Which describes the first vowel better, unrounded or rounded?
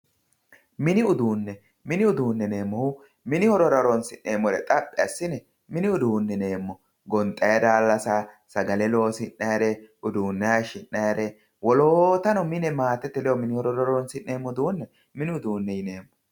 unrounded